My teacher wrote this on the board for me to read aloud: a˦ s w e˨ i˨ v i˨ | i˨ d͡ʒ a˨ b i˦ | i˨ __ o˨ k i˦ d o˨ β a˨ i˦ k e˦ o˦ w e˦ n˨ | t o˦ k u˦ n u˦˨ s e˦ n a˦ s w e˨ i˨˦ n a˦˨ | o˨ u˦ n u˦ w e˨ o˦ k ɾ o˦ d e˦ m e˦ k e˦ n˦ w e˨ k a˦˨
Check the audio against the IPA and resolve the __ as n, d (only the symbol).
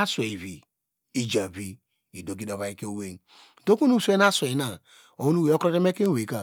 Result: d